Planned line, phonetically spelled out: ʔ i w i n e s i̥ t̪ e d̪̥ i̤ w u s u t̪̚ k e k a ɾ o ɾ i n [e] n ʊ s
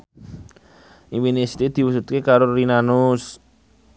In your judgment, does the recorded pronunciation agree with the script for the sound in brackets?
no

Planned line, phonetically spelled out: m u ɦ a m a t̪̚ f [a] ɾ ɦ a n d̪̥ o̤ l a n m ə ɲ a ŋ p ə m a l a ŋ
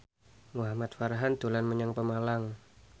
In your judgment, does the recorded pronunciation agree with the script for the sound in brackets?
yes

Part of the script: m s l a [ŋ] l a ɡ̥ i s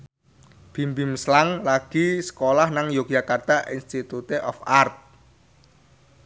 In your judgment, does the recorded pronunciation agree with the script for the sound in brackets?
yes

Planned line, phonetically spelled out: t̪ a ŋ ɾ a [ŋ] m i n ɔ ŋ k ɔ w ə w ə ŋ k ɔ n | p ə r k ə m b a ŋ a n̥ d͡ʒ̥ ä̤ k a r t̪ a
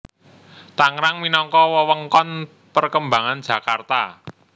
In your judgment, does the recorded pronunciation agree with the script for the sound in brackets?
yes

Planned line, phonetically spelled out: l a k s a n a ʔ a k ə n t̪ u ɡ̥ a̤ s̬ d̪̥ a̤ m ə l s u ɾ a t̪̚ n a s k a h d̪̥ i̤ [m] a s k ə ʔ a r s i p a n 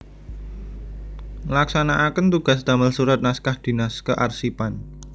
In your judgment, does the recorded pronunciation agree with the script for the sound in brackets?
no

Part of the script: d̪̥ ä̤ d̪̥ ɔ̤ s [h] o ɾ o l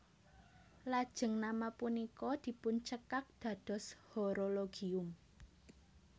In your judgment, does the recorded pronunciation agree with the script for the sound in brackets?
yes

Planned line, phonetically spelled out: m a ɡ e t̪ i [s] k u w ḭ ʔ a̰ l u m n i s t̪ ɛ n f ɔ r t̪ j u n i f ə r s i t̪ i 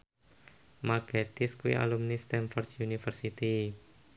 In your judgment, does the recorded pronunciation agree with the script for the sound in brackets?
yes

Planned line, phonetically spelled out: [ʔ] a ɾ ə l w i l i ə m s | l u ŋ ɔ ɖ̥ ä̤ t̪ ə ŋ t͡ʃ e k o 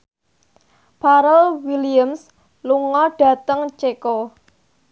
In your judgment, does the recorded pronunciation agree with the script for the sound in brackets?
no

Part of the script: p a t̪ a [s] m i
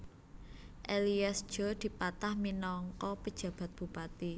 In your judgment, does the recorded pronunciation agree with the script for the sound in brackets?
no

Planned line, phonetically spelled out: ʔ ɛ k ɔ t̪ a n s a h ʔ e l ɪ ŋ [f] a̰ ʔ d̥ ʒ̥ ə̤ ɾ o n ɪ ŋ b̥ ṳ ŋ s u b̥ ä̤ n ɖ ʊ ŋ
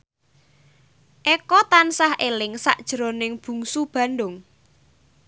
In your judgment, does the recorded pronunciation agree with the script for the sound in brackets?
no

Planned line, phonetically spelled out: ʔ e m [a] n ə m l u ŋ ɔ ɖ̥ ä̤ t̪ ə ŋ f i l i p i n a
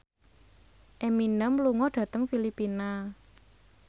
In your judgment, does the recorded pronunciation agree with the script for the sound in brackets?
no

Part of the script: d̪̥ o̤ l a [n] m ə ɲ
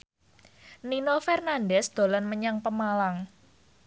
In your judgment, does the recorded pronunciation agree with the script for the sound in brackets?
yes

